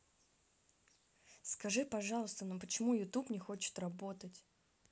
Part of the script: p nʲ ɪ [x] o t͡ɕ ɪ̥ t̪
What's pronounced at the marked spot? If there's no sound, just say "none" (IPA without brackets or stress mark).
x